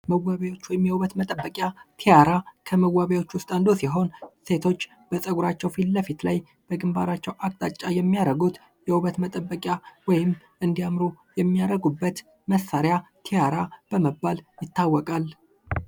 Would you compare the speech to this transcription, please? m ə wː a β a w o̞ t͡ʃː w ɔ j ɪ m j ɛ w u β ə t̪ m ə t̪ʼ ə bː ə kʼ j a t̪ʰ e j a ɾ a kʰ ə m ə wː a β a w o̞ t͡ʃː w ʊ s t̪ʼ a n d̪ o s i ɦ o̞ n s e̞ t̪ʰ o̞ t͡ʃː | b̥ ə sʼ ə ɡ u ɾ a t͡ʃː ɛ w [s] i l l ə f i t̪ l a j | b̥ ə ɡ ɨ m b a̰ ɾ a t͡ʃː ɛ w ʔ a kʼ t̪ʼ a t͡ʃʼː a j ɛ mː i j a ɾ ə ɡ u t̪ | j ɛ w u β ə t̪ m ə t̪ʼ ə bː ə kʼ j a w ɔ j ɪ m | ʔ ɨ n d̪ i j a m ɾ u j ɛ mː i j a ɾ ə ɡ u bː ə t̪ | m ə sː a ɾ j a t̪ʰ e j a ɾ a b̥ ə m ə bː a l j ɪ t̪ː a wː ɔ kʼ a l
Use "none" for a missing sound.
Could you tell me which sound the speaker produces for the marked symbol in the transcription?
f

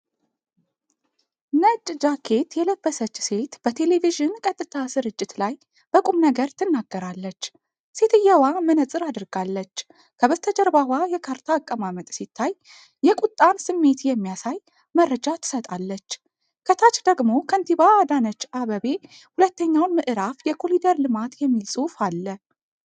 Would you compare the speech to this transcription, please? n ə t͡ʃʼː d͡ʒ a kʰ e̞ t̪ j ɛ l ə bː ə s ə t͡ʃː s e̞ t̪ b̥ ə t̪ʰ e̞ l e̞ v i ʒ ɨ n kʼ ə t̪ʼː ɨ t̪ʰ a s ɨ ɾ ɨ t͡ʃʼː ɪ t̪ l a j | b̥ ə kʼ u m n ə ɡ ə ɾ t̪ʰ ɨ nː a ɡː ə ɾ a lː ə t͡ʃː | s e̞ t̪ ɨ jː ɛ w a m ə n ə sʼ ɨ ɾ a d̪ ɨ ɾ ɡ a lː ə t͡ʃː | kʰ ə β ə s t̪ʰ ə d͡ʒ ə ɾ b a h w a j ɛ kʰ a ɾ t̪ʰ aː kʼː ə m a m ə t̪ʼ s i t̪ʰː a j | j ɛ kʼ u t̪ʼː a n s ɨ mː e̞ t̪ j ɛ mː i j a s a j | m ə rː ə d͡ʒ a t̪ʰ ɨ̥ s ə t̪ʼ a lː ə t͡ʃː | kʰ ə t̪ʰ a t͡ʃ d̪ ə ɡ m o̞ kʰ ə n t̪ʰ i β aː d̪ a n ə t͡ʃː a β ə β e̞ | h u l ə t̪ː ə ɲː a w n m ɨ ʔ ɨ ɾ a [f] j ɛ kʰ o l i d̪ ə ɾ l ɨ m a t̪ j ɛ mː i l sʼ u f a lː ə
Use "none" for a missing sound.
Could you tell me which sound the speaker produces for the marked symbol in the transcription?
f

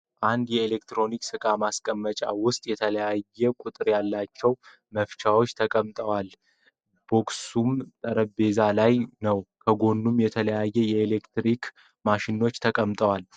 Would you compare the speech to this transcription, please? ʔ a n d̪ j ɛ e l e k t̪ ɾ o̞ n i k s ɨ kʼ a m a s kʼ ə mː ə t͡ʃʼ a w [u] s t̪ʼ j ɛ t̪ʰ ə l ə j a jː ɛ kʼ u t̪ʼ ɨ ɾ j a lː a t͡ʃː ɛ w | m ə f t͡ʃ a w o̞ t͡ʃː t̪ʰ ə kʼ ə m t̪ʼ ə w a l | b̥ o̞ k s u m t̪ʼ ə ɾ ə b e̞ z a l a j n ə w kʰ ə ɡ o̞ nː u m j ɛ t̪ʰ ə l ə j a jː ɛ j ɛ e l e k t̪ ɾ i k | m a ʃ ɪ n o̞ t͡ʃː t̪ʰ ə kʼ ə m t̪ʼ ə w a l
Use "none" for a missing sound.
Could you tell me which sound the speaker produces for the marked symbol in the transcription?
ʊ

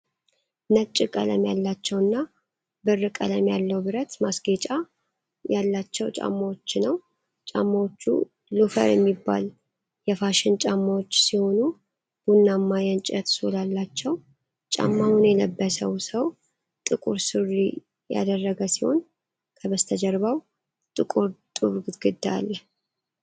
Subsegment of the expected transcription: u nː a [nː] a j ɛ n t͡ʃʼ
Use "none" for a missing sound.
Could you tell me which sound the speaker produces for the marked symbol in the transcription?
mː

